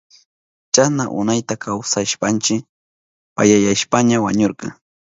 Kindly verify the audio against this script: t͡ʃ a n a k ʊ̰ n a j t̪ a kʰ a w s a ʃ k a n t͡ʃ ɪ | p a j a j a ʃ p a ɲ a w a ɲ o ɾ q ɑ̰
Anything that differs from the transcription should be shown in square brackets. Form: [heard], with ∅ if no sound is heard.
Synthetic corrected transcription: t͡ʃ a n a [ʔ] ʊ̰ n a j t̪ a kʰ a w s a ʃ [p] a n t͡ʃ ɪ | p a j a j a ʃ p a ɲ a w a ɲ o ɾ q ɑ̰

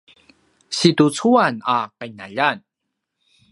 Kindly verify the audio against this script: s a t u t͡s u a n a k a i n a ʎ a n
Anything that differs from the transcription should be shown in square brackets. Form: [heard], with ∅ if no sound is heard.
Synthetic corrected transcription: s [i] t u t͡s u a n a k a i n a ʎ a n

